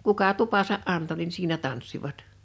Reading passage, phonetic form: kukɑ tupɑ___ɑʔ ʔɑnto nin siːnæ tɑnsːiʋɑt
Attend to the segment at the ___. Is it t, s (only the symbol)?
s